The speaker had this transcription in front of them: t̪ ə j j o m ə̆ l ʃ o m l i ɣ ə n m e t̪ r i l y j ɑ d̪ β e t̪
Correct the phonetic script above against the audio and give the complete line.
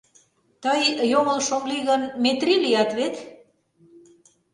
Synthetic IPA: t̪ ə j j o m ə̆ l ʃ o m l i ɣ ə n m e t̪ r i l i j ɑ t̪ β e t̪